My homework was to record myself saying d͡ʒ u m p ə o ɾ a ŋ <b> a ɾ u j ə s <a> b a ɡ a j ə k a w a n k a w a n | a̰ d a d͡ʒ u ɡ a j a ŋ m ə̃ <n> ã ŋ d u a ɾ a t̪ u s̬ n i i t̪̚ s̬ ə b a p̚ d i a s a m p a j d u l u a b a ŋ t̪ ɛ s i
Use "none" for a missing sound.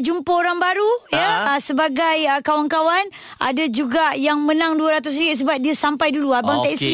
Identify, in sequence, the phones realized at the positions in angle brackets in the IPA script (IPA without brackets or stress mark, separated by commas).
b, ə, n